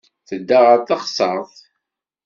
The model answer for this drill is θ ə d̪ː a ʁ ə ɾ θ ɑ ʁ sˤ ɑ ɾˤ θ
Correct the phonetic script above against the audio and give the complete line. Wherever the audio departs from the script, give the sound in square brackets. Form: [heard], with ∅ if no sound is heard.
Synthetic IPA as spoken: θ ə d̪ː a ʁ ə ɾ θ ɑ [χ] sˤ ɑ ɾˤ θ